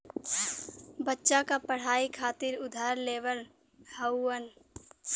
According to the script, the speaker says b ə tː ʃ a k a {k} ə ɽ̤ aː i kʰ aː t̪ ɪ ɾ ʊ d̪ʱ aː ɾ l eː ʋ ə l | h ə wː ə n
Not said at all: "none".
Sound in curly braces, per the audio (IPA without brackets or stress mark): p